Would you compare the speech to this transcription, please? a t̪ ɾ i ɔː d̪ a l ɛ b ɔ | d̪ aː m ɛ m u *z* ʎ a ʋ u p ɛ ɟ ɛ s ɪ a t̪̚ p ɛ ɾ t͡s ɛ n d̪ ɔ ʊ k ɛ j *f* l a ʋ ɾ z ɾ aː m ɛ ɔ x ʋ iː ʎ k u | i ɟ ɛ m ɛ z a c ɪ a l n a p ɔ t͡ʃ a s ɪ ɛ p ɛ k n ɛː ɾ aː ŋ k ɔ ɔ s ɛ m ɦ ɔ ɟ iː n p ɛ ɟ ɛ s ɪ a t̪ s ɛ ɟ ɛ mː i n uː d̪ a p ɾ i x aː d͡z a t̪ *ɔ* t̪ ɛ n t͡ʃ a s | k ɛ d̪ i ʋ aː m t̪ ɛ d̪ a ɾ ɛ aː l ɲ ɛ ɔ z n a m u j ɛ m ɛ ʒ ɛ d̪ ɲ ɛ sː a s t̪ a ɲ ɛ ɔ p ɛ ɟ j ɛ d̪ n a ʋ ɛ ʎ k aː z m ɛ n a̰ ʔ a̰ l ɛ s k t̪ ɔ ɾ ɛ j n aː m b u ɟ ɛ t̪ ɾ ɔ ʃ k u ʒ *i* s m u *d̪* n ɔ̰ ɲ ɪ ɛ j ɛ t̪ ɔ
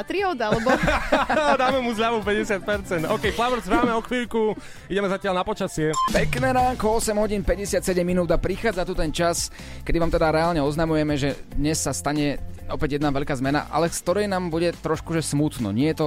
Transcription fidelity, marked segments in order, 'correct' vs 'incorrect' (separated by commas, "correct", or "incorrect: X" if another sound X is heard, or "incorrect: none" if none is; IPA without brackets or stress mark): correct, correct, incorrect: u, incorrect: ɛ, incorrect: t̪